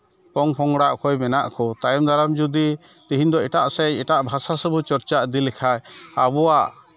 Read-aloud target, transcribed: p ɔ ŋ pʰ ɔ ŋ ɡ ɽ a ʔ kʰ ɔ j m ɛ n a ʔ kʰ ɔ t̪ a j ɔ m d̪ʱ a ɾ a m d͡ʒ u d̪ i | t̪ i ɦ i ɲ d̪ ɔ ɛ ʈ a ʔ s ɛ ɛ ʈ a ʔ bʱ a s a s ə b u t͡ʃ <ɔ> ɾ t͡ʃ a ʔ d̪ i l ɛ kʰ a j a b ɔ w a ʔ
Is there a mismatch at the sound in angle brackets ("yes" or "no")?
no